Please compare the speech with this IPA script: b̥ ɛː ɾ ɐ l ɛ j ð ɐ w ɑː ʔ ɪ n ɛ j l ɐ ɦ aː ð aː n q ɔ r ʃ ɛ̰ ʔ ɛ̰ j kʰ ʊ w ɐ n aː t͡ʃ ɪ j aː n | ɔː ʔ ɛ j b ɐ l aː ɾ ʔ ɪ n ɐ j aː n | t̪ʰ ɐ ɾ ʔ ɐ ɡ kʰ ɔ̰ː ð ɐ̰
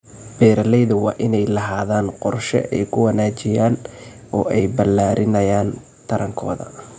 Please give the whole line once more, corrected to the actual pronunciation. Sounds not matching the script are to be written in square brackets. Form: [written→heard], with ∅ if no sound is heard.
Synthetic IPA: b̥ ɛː ɾ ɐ l ɛ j ð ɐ w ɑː ʔ ɪ n ɛ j l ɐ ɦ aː ð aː n q ɔ r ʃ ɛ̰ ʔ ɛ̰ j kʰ ʊ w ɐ n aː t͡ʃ ɪ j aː n | ɔː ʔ ɛ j b ɐ l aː ɾ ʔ ɪ n ɐ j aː n | t̪ʰ ɐ ɾ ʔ ɐ [ɡ→ŋ] kʰ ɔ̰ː ð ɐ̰